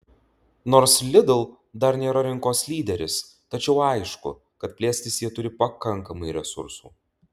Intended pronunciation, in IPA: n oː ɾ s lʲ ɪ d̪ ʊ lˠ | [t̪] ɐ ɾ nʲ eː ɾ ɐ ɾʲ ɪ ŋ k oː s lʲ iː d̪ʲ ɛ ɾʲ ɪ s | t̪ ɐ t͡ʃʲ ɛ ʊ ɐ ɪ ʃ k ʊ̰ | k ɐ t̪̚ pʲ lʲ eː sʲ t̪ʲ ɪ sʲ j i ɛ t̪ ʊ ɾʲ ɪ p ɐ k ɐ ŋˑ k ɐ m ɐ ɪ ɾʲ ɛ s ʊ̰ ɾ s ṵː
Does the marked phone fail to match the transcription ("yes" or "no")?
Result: yes